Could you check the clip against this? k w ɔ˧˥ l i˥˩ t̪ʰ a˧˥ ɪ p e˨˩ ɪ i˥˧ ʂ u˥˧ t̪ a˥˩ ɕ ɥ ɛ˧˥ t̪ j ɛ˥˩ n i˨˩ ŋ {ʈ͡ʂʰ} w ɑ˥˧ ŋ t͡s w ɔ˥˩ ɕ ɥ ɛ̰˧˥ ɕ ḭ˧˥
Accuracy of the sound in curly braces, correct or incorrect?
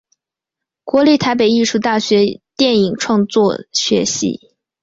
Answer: correct